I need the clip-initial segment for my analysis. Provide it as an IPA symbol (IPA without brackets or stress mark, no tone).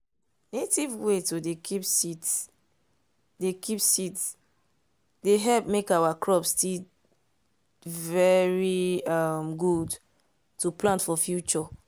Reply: n